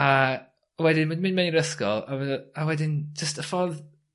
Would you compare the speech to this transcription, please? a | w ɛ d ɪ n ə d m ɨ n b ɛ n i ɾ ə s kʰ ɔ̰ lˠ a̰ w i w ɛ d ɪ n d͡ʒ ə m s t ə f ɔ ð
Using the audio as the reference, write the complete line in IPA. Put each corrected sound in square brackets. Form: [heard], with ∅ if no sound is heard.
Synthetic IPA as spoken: a | w ɛ d ɪ n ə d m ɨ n [m] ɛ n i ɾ ə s [k] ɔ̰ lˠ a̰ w [a] w ɛ d ɪ n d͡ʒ ə [∅] s t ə f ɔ ð